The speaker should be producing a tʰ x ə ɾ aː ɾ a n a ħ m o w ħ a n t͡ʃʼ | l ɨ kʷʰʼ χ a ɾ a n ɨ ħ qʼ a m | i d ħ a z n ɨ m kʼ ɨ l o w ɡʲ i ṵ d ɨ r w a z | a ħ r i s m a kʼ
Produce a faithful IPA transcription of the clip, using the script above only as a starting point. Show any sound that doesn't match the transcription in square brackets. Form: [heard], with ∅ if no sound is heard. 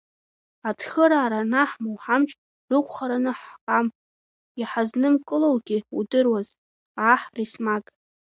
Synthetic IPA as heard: a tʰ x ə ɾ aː ɾ a n a ħ m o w ħ a [m] t͡ʃʼ | [r] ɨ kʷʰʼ χ a ɾ a n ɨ ħ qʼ a m | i [∅] ħ a z n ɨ m kʼ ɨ l o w ɡʲ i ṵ d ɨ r w a z | a ħ r i s m a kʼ